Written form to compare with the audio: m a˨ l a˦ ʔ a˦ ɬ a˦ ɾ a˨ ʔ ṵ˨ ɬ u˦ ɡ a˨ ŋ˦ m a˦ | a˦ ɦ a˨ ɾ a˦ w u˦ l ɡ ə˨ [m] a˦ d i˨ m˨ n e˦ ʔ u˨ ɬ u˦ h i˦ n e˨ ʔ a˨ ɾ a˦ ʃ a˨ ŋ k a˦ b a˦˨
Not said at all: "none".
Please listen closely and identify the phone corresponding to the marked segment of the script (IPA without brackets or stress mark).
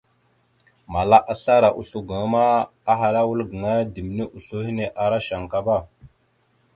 ŋ